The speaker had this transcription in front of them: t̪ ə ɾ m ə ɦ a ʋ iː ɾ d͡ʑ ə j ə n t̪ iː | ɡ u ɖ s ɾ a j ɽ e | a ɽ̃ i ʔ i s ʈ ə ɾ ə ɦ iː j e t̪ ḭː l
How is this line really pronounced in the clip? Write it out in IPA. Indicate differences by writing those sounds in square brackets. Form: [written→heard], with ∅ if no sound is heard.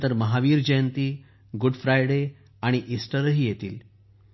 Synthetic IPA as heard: t̪ ə ɾ m ə ɦ a ʋ iː ɾ d͡ʑ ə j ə n t̪ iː | ɡ u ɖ [s→f] ɾ a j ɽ e | a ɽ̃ i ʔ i s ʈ ə ɾ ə ɦ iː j e t̪ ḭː l